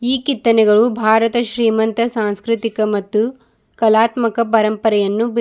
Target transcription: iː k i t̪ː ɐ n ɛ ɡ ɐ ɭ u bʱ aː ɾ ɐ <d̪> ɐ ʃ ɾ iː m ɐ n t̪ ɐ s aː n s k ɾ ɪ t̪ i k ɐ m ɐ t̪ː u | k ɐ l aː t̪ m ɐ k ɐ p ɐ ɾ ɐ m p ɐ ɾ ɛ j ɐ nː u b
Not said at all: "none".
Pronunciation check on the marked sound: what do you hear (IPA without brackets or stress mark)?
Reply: t̪